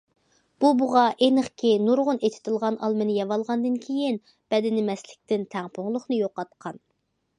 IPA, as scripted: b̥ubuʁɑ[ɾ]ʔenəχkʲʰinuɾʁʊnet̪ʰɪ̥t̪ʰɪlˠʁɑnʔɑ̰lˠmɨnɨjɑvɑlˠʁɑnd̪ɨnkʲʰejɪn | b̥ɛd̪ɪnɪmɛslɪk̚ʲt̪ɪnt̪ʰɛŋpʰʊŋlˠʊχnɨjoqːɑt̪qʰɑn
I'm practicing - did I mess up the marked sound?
yes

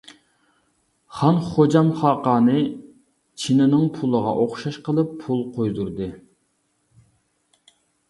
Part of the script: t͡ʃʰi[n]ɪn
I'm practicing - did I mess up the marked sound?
no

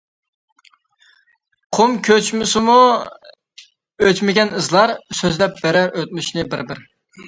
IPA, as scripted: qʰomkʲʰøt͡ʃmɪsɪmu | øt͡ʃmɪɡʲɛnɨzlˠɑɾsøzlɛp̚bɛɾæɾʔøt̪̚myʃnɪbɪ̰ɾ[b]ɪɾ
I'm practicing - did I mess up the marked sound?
no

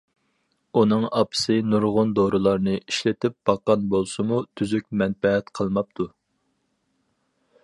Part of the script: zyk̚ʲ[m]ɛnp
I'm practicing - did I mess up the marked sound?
no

